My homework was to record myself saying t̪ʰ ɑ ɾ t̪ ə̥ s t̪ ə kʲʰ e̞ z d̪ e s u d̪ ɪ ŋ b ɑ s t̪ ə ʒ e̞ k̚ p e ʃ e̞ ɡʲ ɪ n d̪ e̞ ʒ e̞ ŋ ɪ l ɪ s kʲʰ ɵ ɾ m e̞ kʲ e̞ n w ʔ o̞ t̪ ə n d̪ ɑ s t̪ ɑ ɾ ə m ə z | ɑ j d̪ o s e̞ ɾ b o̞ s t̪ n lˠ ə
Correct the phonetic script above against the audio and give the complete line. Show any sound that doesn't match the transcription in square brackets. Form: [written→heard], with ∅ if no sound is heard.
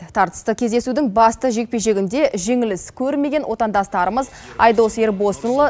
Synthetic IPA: t̪ʰ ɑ ɾ t̪ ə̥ s t̪ ə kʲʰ e̞ z d̪ e s u d̪ ɪ ŋ b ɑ s t̪ ə ʒ e̞ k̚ p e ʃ e̞ ɡʲ ɪ n d̪ e̞ ʒ e̞ ŋ ɪ l ɪ s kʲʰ ɵ ɾ m e̞ [kʲ→ɡʲ] e̞ n w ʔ o̞ t̪ [ə→ɑ] n d̪ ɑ s t̪ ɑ ɾ ə m ə z | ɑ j d̪ o s e̞ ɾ b o̞ s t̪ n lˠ ə

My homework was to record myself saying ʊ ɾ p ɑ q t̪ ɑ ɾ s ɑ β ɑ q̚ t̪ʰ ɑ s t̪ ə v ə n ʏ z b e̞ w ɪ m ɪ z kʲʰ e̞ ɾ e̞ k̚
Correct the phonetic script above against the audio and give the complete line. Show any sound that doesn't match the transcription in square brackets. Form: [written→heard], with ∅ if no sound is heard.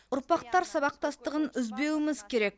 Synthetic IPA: ʊ ɾ p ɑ q t̪ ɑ ɾ s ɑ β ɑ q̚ [t̪ʰ→t̪] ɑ s t̪ ə [v→ʁ] ə n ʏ z b e̞ w ɪ m ɪ z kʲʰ e̞ ɾ e̞ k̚

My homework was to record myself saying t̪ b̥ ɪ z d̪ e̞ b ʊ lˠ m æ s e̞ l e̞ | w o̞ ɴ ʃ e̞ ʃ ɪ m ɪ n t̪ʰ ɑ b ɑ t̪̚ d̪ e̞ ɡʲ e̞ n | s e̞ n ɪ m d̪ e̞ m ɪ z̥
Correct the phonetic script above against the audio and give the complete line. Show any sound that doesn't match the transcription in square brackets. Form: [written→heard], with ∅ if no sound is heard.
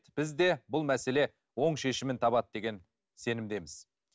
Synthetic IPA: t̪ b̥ ɪ z d̪ e̞ b ʊ lˠ m æ s e̞ l e̞ | w o̞ ɴ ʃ e̞ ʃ ɪ m ɪ n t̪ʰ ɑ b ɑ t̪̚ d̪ e̞ ɡʲ e̞ n | s e̞ n ɪ m d̪ e̞ m ɪ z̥

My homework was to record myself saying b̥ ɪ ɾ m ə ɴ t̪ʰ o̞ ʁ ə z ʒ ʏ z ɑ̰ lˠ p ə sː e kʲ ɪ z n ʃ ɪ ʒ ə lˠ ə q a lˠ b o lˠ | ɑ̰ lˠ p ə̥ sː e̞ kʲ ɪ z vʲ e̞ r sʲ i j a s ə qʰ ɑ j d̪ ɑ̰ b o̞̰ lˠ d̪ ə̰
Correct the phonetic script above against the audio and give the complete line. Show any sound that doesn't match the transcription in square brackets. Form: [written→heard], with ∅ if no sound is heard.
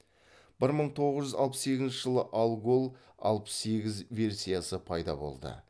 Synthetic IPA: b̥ ɪ ɾ m ə ɴ t̪ʰ o̞ ʁ ə z ʒ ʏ z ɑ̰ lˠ p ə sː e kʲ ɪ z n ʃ ɪ ʒ ə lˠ ə [q→ʔ] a lˠ [b→ɡ] o lˠ | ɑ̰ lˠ p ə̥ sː e̞ [kʲ→ɡʲ] ɪ z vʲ e̞ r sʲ i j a s ə [qʰ→pʰ] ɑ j d̪ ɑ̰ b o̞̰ lˠ d̪ ə̰

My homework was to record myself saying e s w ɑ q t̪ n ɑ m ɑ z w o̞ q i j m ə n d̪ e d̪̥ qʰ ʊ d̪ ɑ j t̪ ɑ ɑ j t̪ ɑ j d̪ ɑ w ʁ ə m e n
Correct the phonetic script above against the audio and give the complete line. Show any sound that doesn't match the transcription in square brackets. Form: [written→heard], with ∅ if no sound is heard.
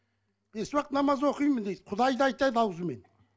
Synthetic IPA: e s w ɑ q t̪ n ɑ m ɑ z w o̞ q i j m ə n d̪ e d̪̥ qʰ ʊ d̪ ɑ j [t̪→d̪] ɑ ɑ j t̪ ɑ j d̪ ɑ w [ʁ→z] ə m e n

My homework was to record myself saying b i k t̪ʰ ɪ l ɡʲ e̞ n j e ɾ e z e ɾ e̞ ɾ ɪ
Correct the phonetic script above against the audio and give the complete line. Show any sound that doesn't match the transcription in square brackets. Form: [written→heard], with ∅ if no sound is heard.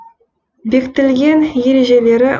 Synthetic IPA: b [i→e] k [t̪ʰ→t̪] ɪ l ɡʲ e̞ n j e ɾ e [z→ʒ] e [ɾ→l] e̞ ɾ ɪ

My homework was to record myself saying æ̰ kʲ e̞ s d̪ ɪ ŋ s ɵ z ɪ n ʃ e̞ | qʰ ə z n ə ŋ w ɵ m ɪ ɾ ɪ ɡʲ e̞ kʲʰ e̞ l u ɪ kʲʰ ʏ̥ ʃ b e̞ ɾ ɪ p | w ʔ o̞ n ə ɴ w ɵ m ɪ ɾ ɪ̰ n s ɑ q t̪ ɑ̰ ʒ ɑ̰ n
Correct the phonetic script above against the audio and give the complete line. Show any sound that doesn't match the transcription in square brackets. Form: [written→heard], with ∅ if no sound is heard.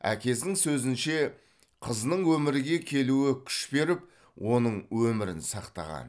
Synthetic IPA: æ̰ kʲ e̞ s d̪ ɪ ŋ s ɵ z ɪ n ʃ e̞ | qʰ ə z n ə [ŋ→ɴ] w ɵ m ɪ ɾ ɪ ɡʲ e̞ kʲʰ e̞ l u ɪ kʲʰ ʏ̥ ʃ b e̞ ɾ ɪ p | w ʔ o̞ n ə ɴ w ɵ m ɪ ɾ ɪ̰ n s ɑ q t̪ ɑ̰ [ʒ→ʁ] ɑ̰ n

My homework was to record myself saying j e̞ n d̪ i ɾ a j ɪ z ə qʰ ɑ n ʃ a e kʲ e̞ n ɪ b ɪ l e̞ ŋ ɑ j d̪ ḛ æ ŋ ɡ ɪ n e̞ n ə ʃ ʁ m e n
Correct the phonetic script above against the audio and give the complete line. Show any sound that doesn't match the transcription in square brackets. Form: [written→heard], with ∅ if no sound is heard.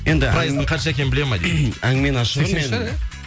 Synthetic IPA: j e̞ n d̪ [i→ɪ] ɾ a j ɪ z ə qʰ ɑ n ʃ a e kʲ e̞ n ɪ b ɪ l e̞ [ŋ→m] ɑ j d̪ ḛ æ ŋ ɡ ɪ [n→m] e̞ n [ə→ɑ] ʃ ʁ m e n

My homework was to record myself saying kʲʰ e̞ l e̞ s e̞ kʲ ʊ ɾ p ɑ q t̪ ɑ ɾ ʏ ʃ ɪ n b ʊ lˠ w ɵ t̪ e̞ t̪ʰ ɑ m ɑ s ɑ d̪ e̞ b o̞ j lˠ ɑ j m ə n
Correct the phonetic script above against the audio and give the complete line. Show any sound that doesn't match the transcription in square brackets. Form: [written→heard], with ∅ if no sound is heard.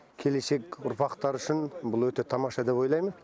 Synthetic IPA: kʲʰ e̞ l e̞ s e̞ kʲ ʊ ɾ p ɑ q t̪ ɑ ɾ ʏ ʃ ɪ n b ʊ lˠ w ɵ t̪ e̞ t̪ʰ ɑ m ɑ [s→ʃ] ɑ d̪ e̞ [b→p] o̞ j lˠ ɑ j m ə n

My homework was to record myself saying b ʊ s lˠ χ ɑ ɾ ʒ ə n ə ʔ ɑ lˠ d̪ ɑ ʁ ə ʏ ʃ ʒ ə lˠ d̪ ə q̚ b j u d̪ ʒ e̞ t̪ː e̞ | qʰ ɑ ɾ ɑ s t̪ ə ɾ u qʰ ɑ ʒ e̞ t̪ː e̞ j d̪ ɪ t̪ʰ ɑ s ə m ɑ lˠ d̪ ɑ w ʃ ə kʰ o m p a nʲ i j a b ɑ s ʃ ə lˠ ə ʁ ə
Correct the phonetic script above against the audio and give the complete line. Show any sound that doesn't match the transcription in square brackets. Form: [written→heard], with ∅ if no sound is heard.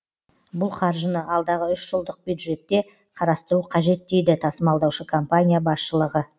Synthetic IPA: b ʊ [s→∅] lˠ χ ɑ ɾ ʒ ə n ə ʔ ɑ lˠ d̪ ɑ ʁ ə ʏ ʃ ʒ ə lˠ d̪ ə q̚ b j u d̪ ʒ e̞ t̪ː e̞ | qʰ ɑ ɾ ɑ s t̪ ə ɾ u qʰ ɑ ʒ e̞ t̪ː e̞ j d̪ ɪ t̪ʰ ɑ s ə m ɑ lˠ d̪ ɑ w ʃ ə kʰ o m p a nʲ i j a b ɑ s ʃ ə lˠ ə ʁ ə

